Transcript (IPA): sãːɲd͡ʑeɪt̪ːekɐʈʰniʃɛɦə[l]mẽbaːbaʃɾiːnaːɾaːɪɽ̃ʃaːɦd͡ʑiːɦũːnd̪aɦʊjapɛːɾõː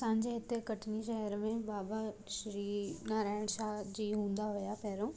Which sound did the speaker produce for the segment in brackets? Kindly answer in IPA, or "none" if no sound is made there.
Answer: ɾ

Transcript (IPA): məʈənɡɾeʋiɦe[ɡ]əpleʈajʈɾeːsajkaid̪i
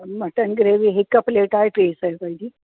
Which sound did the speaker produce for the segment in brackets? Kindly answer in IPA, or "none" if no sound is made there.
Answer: k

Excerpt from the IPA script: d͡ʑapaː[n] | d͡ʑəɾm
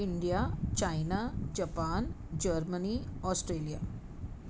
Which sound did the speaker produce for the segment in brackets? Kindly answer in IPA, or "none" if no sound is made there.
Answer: n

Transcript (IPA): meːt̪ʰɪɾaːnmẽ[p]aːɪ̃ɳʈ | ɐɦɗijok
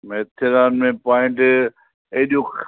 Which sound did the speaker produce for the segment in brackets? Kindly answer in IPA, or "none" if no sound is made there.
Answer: p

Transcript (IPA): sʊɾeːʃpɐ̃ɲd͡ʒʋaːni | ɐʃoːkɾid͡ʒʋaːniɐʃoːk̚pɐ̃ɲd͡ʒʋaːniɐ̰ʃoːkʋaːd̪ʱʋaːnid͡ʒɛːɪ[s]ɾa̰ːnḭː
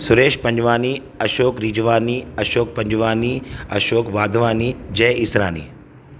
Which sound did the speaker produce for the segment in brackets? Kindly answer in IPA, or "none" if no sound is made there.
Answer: s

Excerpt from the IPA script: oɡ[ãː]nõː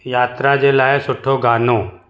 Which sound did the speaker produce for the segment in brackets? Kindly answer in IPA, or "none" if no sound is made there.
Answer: aː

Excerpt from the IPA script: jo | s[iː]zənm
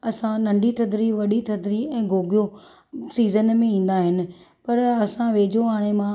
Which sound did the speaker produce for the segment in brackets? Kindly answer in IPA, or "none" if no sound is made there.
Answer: iː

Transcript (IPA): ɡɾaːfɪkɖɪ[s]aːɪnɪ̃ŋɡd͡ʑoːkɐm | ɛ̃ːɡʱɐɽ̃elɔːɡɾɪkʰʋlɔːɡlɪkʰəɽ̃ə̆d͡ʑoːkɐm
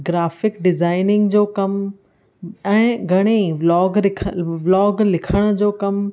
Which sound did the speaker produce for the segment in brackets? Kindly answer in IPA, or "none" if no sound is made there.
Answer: z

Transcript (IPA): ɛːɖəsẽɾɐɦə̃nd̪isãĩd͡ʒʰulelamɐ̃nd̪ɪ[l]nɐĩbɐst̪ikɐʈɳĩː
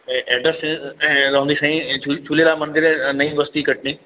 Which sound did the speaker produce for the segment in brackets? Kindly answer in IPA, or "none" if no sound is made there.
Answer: ɾ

